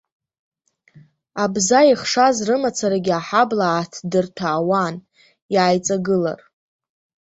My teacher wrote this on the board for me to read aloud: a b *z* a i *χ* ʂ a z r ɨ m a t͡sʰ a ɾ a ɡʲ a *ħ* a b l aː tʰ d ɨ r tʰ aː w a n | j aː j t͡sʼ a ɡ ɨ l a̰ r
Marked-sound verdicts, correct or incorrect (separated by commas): correct, correct, correct